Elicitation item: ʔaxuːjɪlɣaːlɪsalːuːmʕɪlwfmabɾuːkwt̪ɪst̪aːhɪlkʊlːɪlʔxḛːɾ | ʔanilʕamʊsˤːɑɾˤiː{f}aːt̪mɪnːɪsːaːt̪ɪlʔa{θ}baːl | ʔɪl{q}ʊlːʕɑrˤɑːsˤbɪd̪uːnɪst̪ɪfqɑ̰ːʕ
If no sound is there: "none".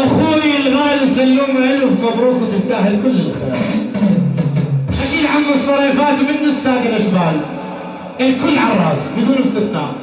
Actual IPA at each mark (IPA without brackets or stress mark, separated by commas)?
f, ʃ, k